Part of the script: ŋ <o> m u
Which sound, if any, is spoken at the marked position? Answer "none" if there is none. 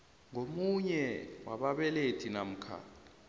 o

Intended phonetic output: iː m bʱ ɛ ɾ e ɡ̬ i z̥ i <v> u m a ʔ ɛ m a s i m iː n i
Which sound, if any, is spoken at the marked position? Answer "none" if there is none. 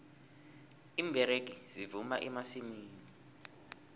v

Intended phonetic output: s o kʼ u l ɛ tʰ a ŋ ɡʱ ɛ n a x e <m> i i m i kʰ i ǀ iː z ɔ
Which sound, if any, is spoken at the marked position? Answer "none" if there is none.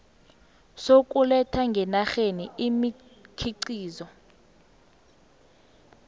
n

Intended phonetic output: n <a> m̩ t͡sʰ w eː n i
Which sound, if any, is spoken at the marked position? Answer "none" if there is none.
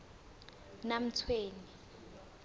a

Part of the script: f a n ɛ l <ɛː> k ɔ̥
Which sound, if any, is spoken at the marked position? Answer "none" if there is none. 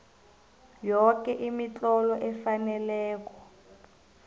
ɛː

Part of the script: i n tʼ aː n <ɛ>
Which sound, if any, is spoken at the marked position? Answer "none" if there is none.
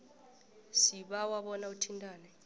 ɛ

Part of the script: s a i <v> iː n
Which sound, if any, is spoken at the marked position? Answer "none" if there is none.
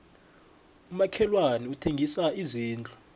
z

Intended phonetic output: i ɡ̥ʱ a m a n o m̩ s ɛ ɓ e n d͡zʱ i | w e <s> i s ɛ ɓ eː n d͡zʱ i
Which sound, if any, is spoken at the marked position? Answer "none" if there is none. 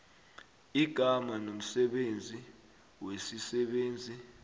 s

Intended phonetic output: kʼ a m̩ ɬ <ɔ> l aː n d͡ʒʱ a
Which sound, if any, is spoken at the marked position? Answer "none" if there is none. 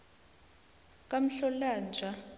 ɔ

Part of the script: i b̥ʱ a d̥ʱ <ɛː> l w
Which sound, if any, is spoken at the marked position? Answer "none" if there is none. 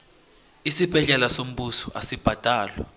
aː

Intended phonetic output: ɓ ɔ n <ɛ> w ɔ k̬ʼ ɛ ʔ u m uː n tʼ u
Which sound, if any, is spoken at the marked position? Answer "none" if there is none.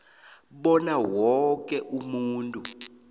a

